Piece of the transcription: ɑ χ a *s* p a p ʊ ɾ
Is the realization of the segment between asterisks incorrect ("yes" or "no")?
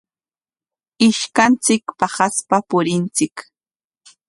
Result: no